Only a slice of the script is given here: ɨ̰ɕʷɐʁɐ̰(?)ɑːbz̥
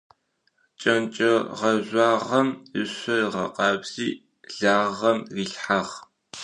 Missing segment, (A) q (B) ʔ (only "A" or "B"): A